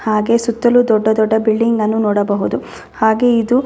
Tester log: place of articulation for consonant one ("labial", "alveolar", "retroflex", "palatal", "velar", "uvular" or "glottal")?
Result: glottal